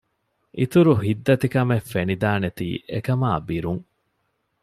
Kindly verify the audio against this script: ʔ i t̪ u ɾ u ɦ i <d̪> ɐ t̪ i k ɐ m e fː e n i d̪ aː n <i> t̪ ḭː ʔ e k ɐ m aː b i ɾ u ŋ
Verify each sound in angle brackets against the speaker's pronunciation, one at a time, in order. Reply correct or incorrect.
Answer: incorrect: d̪ː, incorrect: e

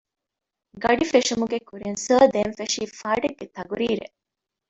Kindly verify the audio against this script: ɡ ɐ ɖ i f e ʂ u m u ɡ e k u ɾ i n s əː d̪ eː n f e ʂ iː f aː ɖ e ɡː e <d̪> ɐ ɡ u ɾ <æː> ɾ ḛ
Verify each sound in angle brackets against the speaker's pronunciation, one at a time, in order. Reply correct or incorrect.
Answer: incorrect: t̪, incorrect: iː

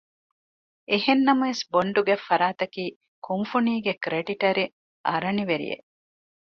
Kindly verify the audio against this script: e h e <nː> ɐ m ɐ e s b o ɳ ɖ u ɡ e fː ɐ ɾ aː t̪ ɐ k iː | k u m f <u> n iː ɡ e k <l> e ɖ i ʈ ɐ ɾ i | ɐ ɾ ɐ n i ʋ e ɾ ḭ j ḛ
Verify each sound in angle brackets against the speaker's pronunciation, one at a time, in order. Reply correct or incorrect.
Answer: correct, correct, incorrect: ɾ

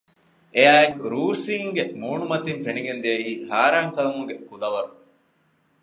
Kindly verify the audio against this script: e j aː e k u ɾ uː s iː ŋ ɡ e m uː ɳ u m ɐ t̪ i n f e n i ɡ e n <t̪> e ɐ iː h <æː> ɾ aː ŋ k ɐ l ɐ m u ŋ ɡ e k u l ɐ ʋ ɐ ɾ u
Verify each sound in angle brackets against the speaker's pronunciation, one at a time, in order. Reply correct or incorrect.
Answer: incorrect: d̪, incorrect: aː

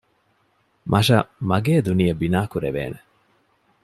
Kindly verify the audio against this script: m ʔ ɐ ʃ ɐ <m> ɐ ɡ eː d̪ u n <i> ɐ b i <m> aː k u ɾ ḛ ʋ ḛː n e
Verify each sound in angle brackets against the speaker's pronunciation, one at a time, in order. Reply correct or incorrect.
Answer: correct, correct, incorrect: n

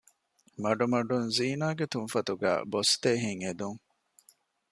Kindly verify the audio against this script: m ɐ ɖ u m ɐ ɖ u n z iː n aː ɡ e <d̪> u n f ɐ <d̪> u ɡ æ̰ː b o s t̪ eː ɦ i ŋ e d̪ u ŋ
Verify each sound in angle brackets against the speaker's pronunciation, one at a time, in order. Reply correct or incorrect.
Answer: incorrect: t̪, incorrect: t̪

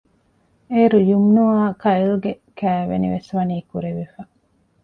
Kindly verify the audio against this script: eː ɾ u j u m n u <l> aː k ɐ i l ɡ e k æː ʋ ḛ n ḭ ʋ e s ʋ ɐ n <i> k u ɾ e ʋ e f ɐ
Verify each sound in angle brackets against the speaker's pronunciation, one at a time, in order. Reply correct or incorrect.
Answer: incorrect: none, incorrect: iː

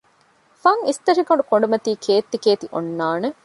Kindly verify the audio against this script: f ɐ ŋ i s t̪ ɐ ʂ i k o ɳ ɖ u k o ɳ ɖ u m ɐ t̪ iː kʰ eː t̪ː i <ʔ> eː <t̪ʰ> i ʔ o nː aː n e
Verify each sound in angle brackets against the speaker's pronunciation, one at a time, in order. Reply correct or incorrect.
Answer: incorrect: k, incorrect: t̪

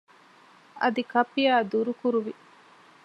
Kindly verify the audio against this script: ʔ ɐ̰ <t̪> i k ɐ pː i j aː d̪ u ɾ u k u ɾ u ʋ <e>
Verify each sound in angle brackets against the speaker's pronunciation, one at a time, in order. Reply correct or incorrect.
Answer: incorrect: d̪, incorrect: i

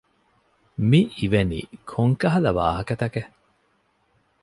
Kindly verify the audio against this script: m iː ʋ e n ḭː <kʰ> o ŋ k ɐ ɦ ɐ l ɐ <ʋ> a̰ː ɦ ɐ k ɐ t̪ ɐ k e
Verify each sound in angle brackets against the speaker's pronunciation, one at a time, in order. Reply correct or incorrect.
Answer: correct, correct

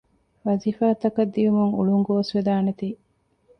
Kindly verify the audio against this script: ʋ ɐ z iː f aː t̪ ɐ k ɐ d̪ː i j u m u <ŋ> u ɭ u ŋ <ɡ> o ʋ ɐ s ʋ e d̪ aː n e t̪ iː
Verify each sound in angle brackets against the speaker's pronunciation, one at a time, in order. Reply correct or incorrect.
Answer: correct, correct

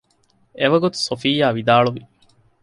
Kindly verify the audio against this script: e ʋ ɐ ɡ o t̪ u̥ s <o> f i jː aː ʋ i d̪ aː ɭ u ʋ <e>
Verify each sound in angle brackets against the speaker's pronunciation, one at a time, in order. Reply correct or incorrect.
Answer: correct, incorrect: i

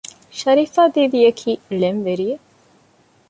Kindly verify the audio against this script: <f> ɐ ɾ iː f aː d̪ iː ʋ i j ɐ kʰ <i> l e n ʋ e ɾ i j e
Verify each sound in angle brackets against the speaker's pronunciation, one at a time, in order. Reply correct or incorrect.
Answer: incorrect: ʃ, incorrect: iː

